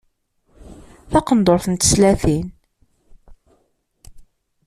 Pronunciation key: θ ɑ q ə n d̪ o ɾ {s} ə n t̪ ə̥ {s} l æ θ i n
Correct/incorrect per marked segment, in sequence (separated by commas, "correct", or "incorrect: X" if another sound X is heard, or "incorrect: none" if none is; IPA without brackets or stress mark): incorrect: θ, correct